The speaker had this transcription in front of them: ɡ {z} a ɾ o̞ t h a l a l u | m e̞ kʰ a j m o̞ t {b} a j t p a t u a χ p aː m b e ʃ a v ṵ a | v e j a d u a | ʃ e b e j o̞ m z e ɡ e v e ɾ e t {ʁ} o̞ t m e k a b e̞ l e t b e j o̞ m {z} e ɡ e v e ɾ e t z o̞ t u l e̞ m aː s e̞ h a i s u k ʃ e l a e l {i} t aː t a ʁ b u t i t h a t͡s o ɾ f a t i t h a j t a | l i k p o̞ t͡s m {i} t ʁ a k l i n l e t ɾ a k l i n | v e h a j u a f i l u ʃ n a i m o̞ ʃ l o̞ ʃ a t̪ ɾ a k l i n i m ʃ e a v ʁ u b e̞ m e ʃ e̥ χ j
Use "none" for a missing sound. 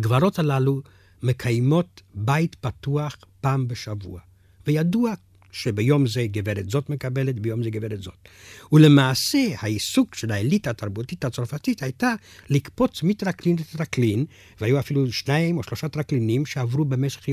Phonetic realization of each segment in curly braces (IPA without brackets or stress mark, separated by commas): v, b, z, z, i, i